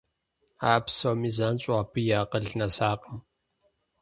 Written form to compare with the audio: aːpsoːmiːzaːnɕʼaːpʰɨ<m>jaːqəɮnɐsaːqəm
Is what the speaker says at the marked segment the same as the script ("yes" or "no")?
no